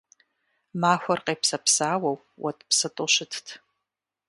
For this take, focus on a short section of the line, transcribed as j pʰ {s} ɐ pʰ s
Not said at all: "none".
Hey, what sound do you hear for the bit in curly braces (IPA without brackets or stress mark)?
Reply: s